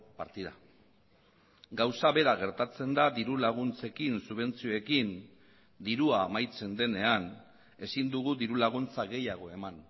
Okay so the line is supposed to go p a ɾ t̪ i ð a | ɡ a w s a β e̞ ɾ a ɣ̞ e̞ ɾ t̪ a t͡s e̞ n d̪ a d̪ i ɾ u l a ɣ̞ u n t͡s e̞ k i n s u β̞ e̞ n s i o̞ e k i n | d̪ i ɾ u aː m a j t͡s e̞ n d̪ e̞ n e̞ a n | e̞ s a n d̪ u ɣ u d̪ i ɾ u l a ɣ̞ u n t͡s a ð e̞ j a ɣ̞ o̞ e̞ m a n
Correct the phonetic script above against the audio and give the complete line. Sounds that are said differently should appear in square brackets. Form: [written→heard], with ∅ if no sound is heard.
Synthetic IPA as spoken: p a ɾ t̪ i ð a | ɡ a w s a β e̞ ɾ a ɣ̞ e̞ ɾ t̪ a t͡s e̞ n d̪ a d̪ i ɾ u l a ɣ̞ u n t͡s e̞ k i n s u β̞ e̞ n [s→t͡s] i o̞ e k i n | d̪ i ɾ u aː m a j t͡s e̞ n d̪ e̞ n e̞ a n | e̞ s [a→i] n d̪ u ɣ u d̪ i ɾ u l a ɣ̞ u n t͡s a [ð→ɣ] e̞ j a ɣ̞ o̞ e̞ m a n

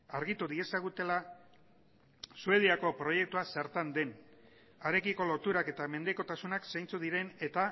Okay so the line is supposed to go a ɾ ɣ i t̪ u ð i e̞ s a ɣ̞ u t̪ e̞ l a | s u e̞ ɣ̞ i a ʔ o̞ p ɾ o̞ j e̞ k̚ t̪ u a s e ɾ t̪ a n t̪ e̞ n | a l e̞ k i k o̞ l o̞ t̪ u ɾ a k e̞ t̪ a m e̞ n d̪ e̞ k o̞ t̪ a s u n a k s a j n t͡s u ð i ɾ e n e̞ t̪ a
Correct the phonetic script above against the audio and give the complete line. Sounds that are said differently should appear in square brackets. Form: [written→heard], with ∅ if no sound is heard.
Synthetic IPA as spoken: a ɾ ɣ i t̪ u ð i e̞ s a ɣ̞ u t̪ e̞ l a | s u e̞ [ɣ̞→ð̞] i a [ʔ→k] o̞ p ɾ o̞ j e̞ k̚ t̪ u a s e ɾ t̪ a n [t̪→d̪] e̞ n | a [l→ɾ] e̞ k i k o̞ l o̞ t̪ u ɾ a k e̞ t̪ a m e̞ n d̪ e̞ k o̞ t̪ a s u n a k s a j n t͡s u ð i ɾ e n e̞ t̪ a

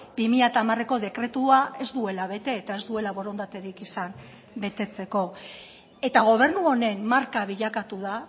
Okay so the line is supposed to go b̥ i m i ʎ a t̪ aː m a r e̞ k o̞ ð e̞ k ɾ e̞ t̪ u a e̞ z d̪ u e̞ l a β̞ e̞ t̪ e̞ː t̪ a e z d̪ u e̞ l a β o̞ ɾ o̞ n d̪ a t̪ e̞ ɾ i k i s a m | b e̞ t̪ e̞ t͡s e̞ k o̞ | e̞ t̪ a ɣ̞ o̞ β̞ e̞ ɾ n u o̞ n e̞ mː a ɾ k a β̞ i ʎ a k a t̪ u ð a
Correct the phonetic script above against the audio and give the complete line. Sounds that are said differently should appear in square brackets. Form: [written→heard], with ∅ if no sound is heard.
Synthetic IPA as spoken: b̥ i m i ʎ a t̪ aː m a r e̞ k o̞ ð e̞ k ɾ e̞ t̪ u a e̞ z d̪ u e̞ l a β̞ e̞ t̪ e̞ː t̪ a e z d̪ u e̞ l a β o̞ ɾ o̞ n d̪ a t̪ e̞ ɾ i k i s a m | b e̞ t̪ e̞ t͡s e̞ k o̞ | e̞ t̪ a ɣ̞ o̞ β̞ e̞ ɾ n u o̞ n e̞ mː a ɾ k a β̞ i ʎ a k a t̪ u ð a

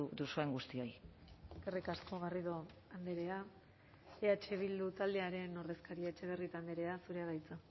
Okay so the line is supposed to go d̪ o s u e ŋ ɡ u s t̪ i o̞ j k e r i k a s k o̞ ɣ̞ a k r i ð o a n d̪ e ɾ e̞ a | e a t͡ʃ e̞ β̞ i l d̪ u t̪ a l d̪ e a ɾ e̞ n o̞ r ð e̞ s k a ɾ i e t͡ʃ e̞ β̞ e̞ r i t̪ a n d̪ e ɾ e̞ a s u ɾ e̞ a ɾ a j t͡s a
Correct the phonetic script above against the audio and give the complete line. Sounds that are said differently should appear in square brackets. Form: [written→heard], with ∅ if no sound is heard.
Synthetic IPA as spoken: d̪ [o→u] s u e ŋ ɡ u s t̪ i o̞ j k e r i k a s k o̞ ɣ̞ a [k→∅] r i ð o a n d̪ e ɾ e̞ a | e a t͡ʃ e̞ β̞ i l d̪ u t̪ a l d̪ e a ɾ e̞ n o̞ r ð e̞ s k a ɾ i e t͡ʃ e̞ β̞ e̞ r i t̪ a n d̪ e ɾ e̞ a s u ɾ e̞ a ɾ a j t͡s a

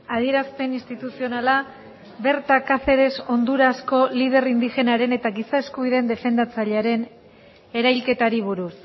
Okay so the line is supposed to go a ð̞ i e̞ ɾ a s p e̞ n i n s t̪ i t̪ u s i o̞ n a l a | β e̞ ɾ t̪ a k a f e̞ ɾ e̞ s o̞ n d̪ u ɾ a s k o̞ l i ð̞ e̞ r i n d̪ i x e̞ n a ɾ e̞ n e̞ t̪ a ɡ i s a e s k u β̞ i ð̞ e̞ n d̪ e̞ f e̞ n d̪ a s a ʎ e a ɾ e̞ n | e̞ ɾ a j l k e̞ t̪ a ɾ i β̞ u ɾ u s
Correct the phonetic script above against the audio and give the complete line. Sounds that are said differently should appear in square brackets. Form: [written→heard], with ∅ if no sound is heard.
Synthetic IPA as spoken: a ð̞ i e̞ ɾ a s p e̞ n i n s t̪ i t̪ u s i o̞ n a l a | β e̞ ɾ t̪ a k a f e̞ ɾ e̞ s o̞ n d̪ u ɾ a s k o̞ l i ð̞ e̞ r i n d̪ i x e̞ n a ɾ e̞ n e̞ t̪ a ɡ i s a e s k u β̞ i ð̞ e̞ n d̪ e̞ f e̞ n d̪ a [s→t͡s] a ʎ e a ɾ e̞ n | e̞ ɾ a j l k e̞ t̪ a ɾ i β̞ u ɾ u s

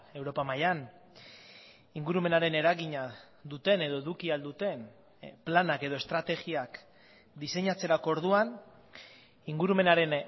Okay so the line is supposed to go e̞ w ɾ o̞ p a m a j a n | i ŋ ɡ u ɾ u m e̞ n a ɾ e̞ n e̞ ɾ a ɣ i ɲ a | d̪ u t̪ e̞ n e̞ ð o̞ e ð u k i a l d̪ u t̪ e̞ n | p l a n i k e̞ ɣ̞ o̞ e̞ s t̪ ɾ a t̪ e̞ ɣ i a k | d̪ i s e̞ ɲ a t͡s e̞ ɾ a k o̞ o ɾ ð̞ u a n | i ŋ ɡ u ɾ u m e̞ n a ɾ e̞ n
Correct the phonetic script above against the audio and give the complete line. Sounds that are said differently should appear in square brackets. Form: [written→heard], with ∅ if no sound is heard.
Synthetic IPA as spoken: e̞ w ɾ o̞ p a m a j a n | i ŋ ɡ u ɾ u m e̞ n a ɾ e̞ n e̞ ɾ a ɣ i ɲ a | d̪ u t̪ e̞ n e̞ ð o̞ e ð u k i a l d̪ u t̪ e̞ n | p l a n [i→a] k e̞ [ɣ̞→ð̞] o̞ e̞ s t̪ ɾ a t̪ e̞ ɣ i a k | d̪ i s e̞ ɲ a t͡s e̞ ɾ a k o̞ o ɾ ð̞ u a n | i ŋ ɡ u ɾ u m e̞ n a ɾ e̞ n

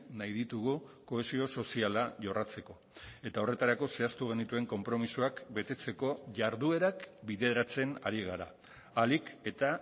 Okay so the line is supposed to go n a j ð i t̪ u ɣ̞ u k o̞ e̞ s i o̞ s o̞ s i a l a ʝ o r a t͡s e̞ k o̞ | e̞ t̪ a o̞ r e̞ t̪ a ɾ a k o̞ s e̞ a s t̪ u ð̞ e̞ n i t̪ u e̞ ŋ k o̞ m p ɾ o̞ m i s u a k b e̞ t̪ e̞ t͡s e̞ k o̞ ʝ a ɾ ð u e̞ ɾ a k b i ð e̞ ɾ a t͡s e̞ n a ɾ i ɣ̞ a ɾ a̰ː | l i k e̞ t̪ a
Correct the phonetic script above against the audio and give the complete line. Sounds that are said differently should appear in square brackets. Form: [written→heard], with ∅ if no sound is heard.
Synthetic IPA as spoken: n a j ð i t̪ u ɣ̞ u k o̞ e̞ s i o̞ s o̞ s i a l a ʝ o r a t͡s e̞ k o̞ | e̞ t̪ a o̞ r e̞ t̪ a ɾ a k o̞ s e̞ a s t̪ u [ð̞→ɣ̞] e̞ n i t̪ u e̞ ŋ k o̞ m p ɾ o̞ m i s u a k b e̞ t̪ e̞ t͡s e̞ k o̞ ʝ a ɾ ð u e̞ ɾ a k b i ð e̞ ɾ a t͡s e̞ n a ɾ i ɣ̞ a ɾ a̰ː | l i k e̞ t̪ a

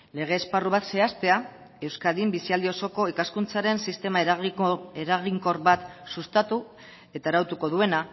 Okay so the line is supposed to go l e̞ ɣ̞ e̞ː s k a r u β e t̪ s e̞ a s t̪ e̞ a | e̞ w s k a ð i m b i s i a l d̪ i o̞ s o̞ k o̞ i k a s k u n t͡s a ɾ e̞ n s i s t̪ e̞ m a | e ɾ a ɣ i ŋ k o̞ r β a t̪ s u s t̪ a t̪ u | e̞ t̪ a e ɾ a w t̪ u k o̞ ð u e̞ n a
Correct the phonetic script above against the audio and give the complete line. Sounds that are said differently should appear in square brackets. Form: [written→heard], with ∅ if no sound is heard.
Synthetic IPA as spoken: l e̞ ɣ̞ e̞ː s [k→p] a r u β [e→a] t̪ s e̞ a s t̪ e̞ a | e̞ w s k a ð i m b i s i a l d̪ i o̞ s o̞ k o̞ i k a s k u n t͡s a ɾ e̞ n s i s t̪ e̞ m a | e ɾ a ɣ i ŋ k o̞ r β a t̪ s u s t̪ a t̪ u | e̞ t̪ a e ɾ a w t̪ u k o̞ ð u e̞ n a

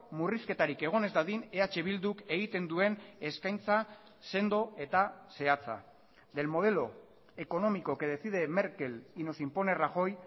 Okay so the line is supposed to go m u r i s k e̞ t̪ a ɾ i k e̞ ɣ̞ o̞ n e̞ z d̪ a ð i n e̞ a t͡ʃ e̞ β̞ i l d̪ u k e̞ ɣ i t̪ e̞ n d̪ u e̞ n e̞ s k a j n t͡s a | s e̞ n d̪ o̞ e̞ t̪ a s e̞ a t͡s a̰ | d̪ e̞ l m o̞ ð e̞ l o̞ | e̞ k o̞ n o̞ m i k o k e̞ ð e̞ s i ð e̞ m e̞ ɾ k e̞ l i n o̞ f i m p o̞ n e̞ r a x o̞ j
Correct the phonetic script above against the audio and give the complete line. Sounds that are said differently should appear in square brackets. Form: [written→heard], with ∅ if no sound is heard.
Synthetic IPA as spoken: m u r i s k e̞ t̪ a ɾ i k e̞ ɣ̞ o̞ n e̞ z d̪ a ð i n e̞ a t͡ʃ e̞ β̞ i l d̪ u k e̞ ɣ i t̪ e̞ n d̪ u e̞ n e̞ s k a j n t͡s a | s e̞ n d̪ o̞ e̞ t̪ a s e̞ a t͡s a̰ | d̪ e̞ l m o̞ ð e̞ l o̞ | e̞ k o̞ n o̞ m i k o k e̞ ð e̞ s i ð e̞ m e̞ ɾ k e̞ l i n o̞ [f→s] i m p o̞ n e̞ r a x o̞ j

